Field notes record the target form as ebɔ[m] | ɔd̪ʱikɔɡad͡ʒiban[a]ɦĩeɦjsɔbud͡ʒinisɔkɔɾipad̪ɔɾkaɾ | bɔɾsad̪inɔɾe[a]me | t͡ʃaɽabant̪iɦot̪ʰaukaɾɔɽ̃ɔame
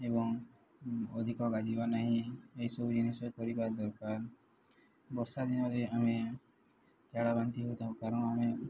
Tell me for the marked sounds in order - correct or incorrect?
incorrect: ŋ, correct, correct

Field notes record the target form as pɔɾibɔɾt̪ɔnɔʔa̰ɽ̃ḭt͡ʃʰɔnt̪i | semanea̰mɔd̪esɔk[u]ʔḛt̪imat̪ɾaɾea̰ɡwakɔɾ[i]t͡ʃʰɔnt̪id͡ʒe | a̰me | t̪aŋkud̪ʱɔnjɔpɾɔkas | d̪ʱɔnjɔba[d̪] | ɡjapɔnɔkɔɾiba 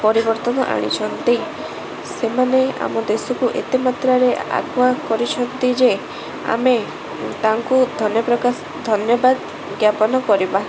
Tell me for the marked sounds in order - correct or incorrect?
correct, correct, correct

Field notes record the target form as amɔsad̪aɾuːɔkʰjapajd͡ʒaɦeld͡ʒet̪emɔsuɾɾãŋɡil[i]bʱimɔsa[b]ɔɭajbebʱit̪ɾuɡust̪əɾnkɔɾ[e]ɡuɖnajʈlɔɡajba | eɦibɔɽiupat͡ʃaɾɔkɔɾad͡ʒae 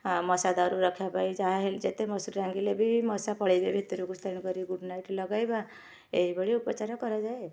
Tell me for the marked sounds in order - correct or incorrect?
incorrect: e, incorrect: p, incorrect: i

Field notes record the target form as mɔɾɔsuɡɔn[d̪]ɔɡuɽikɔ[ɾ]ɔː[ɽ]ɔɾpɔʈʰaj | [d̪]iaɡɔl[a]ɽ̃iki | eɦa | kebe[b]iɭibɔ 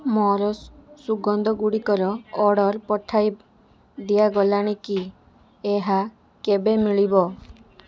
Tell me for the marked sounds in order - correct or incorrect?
correct, correct, correct, correct, correct, incorrect: m

